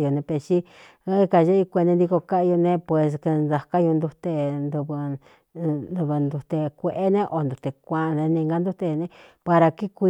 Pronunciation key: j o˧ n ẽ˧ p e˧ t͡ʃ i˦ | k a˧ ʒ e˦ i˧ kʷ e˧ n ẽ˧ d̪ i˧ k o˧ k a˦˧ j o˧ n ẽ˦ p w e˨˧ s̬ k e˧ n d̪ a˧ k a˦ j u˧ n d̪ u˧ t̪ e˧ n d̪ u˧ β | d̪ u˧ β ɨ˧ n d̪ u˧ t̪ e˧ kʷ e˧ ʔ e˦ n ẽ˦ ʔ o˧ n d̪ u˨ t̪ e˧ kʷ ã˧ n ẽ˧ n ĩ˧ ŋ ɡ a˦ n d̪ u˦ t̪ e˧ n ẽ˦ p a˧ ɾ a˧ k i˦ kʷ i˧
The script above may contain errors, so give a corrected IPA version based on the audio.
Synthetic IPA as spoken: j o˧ n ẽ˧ p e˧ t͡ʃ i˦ | k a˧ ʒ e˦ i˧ kʷ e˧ n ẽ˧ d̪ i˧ k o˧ k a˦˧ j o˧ n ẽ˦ p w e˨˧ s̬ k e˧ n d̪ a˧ k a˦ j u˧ n d̪ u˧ t̪ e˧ n d̪ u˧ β | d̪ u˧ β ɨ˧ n d̪ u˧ t̪ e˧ kʷ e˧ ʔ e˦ n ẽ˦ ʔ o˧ n d̪ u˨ t̪ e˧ kʷ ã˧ n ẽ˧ n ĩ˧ ŋ ɡ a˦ n d̪ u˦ t̪ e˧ n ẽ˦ p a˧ ɾ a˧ k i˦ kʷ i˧